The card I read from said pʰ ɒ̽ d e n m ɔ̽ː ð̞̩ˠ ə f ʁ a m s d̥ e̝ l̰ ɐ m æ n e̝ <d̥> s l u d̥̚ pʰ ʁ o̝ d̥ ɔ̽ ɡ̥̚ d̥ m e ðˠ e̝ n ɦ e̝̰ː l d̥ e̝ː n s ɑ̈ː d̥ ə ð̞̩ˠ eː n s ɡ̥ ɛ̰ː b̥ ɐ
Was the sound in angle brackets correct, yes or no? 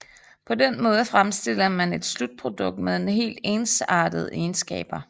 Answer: yes